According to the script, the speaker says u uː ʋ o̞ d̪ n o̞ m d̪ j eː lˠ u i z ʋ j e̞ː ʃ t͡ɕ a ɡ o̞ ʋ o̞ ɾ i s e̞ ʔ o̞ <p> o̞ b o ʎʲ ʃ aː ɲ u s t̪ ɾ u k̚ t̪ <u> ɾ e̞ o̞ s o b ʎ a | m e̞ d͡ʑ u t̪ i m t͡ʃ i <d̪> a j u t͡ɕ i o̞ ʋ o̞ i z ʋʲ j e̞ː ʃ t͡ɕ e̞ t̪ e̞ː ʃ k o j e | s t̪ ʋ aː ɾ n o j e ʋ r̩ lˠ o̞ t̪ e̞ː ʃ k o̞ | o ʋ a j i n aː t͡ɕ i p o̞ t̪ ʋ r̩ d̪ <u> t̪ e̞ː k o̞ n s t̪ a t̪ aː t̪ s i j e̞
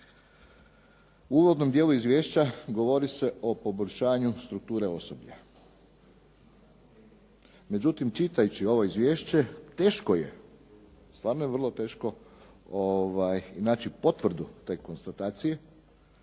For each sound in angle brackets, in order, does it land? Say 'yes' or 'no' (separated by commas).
yes, no, no, yes